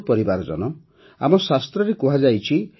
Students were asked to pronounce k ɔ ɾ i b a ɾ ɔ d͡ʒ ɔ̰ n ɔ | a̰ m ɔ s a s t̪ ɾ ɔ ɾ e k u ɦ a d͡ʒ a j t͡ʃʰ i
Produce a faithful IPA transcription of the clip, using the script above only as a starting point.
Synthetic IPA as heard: p ɔ ɾ i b a ɾ ɔ d͡ʒ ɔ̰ n ɔ | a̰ m ɔ s a s t̪ ɾ ɔ ɾ e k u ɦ a d͡ʒ a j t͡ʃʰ i